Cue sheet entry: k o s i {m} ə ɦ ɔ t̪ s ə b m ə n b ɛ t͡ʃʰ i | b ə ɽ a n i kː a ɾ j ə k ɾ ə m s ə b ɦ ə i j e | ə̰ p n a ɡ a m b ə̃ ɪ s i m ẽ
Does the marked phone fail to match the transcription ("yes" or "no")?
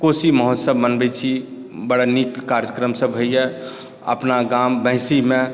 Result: no